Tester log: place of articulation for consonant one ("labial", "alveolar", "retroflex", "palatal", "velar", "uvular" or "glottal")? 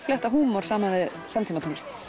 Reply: labial